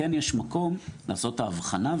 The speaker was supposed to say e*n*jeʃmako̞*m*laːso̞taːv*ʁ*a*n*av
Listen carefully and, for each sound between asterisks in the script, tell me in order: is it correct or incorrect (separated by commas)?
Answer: correct, correct, incorrect, correct